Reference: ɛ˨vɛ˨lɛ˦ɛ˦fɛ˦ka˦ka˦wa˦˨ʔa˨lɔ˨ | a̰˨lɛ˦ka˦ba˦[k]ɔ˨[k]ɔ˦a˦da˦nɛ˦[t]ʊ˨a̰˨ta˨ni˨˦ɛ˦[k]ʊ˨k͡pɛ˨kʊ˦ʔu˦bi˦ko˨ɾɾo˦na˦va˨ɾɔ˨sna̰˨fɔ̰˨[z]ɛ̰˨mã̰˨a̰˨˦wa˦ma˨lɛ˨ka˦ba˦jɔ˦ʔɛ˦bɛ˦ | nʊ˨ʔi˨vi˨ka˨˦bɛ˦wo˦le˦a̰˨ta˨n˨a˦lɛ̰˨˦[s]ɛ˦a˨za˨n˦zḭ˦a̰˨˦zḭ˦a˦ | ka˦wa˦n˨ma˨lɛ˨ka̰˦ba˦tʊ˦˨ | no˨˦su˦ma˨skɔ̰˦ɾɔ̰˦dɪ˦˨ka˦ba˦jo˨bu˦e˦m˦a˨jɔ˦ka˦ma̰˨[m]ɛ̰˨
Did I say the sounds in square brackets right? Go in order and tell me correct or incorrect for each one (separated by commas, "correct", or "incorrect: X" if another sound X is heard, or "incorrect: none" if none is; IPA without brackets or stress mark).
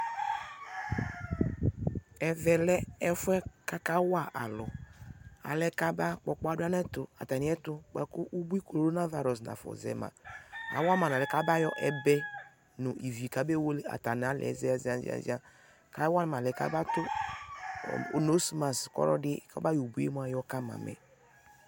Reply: incorrect: k͡p, incorrect: k͡p, correct, incorrect: t, correct, incorrect: z, correct